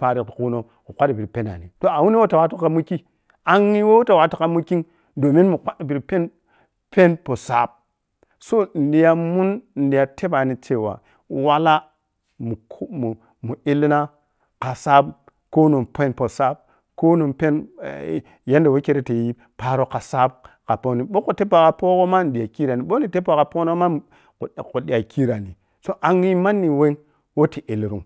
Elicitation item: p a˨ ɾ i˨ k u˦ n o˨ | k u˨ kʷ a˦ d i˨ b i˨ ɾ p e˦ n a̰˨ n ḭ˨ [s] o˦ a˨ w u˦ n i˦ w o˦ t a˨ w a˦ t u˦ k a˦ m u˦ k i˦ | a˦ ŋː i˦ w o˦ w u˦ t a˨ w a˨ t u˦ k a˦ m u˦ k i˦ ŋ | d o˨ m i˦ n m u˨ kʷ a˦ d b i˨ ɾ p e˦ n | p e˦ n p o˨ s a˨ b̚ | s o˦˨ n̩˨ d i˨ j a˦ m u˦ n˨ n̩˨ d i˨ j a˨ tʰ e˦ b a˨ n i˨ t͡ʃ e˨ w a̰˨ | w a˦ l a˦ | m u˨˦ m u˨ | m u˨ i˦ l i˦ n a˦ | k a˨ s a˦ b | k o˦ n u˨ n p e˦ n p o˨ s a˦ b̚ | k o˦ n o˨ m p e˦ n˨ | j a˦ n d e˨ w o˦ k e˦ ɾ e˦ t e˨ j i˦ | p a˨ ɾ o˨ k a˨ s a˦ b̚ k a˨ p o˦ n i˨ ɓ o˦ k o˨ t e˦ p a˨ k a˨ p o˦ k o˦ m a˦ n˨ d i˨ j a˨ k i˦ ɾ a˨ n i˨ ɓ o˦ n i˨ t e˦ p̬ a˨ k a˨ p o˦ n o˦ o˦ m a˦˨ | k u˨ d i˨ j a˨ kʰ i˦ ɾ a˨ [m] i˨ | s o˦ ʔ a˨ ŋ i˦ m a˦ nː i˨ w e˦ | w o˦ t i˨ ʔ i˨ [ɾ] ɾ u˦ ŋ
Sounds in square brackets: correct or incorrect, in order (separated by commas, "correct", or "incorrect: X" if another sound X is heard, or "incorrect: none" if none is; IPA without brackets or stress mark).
incorrect: t, incorrect: n, incorrect: l